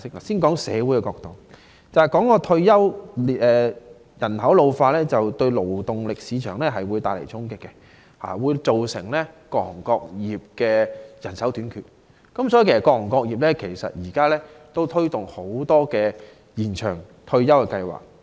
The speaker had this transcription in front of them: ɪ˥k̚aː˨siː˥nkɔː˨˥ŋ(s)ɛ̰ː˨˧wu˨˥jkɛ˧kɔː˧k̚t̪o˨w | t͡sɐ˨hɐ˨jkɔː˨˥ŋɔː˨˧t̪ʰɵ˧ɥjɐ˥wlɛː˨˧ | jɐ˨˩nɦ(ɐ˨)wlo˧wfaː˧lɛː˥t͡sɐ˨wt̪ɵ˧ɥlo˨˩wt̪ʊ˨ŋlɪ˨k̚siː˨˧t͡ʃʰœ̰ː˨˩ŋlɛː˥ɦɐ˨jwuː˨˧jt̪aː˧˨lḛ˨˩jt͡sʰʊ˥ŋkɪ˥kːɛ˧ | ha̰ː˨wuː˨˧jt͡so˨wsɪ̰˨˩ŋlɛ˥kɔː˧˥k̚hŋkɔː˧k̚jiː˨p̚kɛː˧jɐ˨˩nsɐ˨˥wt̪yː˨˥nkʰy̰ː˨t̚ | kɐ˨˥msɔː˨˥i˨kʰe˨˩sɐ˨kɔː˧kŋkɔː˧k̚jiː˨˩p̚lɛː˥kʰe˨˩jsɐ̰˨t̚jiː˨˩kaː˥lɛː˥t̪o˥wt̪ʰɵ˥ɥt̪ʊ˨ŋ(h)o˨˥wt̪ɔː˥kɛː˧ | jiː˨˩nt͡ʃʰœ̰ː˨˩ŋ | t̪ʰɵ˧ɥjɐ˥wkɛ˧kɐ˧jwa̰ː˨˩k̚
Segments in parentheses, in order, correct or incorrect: correct, incorrect: ɐ˨˥, correct

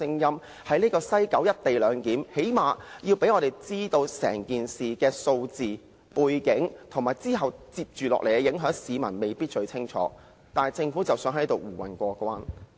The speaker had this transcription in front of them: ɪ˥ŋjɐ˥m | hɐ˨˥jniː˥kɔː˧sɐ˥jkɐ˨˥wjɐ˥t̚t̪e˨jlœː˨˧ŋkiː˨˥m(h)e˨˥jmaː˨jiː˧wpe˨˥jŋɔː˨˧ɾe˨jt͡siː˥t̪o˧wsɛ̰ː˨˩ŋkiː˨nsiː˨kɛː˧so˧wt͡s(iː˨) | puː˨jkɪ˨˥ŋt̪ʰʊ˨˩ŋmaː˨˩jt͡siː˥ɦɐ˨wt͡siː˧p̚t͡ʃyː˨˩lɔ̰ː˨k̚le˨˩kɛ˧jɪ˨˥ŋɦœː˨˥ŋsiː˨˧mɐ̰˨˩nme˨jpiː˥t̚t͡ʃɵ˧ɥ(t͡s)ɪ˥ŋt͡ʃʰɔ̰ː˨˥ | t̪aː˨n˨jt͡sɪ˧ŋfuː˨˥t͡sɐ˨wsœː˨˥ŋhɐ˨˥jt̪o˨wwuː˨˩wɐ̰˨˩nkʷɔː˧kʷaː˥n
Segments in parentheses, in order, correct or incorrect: correct, correct, incorrect: t͡sʰ

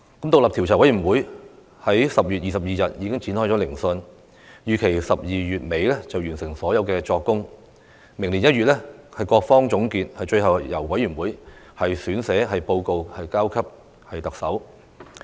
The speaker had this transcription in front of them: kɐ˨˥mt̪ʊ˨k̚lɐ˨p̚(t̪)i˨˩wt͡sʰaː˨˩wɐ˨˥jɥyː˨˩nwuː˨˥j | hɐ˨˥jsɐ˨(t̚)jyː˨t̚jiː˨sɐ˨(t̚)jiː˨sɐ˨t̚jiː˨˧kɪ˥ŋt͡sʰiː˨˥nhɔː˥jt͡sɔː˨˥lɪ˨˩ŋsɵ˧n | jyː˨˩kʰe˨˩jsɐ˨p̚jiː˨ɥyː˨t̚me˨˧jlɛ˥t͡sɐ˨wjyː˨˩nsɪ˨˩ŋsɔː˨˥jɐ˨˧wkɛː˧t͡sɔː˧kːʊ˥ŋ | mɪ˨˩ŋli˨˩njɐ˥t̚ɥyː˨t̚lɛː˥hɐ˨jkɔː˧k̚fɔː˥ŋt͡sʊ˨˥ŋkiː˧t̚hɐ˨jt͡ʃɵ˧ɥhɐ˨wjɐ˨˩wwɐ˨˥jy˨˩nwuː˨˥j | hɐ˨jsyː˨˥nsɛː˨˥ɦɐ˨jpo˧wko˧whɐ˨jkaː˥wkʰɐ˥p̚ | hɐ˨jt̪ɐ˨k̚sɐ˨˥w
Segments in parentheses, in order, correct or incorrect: incorrect: t̪ʰ, incorrect: p̚, incorrect: p̚

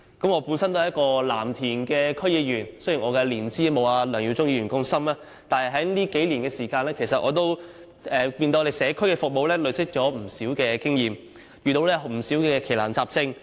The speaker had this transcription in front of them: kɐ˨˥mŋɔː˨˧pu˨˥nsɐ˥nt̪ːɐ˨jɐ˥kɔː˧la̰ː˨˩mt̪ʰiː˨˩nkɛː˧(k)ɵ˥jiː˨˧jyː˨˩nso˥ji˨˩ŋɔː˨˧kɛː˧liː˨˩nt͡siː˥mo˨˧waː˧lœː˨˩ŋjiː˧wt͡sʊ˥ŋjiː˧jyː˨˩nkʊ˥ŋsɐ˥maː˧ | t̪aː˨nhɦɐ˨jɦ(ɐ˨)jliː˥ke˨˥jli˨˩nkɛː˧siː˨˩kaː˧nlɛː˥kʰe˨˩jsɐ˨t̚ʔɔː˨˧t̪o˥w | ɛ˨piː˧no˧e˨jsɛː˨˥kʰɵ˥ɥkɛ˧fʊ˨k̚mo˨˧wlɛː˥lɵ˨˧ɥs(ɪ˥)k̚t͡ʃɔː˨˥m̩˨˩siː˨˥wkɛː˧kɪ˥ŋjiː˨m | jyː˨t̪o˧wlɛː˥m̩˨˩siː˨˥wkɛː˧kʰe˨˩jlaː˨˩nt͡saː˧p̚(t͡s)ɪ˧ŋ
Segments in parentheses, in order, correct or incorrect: incorrect: kʰ, incorrect: ɐ˨˥, correct, correct

